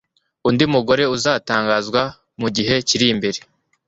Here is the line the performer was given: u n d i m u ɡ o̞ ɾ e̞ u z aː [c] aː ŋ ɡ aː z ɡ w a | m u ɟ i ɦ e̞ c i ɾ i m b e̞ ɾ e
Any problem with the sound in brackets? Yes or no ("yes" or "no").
yes